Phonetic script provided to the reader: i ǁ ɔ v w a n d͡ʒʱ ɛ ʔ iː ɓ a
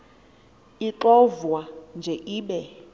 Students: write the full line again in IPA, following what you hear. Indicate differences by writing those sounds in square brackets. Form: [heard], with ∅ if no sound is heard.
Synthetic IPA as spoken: i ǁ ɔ v w a n d͡ʒʱ ɛ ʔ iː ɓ [ɛ]